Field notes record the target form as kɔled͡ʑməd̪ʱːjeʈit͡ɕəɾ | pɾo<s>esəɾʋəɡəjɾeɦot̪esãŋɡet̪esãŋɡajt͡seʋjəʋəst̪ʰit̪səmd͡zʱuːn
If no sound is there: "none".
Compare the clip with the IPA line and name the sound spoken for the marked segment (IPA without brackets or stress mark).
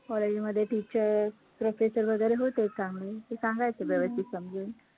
f